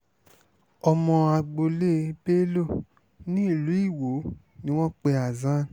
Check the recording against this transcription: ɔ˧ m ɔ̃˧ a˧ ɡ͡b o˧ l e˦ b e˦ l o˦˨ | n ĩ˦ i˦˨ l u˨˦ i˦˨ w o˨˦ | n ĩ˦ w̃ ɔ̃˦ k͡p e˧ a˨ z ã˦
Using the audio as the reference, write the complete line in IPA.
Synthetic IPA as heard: ɔ˧ m ɔ̃˧ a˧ ɡ͡b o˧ l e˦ b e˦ l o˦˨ | n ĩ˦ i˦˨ l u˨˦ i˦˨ w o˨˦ | n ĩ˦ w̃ ɔ̃˦ k͡p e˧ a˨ z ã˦